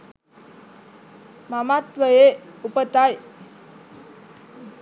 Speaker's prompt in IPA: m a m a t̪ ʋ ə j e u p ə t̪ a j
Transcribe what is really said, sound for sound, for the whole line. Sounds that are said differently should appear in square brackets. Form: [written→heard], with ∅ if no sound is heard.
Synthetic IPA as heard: m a m a t̪ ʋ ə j e u p ə t̪ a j